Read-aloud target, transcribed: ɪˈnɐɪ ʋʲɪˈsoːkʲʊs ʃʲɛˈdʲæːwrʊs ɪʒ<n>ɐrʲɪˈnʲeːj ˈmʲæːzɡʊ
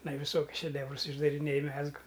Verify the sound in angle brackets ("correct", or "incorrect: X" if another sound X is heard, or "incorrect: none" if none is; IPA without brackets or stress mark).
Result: incorrect: d